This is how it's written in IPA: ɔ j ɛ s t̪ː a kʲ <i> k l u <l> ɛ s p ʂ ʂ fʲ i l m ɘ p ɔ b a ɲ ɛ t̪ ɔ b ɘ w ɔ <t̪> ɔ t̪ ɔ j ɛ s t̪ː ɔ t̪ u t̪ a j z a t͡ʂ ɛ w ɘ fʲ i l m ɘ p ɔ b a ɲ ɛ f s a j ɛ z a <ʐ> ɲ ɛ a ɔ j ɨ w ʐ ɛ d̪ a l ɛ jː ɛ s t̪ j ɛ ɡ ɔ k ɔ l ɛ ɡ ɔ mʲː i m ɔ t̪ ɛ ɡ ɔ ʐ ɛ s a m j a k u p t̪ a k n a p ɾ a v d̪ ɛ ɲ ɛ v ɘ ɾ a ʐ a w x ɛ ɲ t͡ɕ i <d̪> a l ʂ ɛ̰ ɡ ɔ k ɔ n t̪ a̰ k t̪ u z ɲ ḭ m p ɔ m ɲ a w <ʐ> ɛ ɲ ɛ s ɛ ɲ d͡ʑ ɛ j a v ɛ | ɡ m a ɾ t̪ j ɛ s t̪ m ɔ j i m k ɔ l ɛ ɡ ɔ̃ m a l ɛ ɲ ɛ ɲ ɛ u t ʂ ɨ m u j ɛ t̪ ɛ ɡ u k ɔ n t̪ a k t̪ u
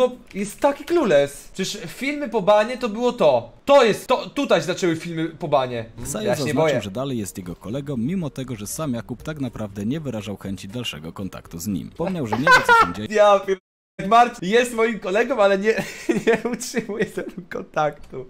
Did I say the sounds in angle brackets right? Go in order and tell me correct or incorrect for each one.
correct, correct, correct, incorrect: z, correct, correct

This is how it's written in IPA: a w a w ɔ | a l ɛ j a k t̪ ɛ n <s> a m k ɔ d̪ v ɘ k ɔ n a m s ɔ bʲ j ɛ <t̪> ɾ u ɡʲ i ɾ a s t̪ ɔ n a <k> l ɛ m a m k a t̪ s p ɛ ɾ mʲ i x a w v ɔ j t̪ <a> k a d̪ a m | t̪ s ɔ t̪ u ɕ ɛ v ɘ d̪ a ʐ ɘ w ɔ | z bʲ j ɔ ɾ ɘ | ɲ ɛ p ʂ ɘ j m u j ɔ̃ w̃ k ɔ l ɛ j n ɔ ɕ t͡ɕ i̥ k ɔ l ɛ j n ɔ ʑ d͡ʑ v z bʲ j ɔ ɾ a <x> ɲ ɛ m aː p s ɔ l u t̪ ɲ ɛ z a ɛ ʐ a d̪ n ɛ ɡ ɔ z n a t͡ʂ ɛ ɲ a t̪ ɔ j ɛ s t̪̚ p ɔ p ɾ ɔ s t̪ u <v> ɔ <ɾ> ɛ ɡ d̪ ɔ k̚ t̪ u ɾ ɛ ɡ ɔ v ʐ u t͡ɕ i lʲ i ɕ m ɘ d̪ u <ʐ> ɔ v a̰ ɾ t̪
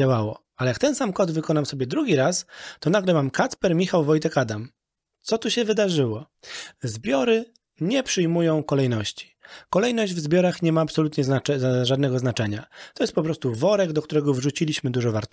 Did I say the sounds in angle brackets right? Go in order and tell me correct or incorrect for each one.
correct, incorrect: d̪, incorrect: ɡ, incorrect: ɛ, correct, correct, correct, correct

